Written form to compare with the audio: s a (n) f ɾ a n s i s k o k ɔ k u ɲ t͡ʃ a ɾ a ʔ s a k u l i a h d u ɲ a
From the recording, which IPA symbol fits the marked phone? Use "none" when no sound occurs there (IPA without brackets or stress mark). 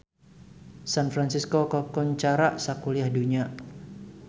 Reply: n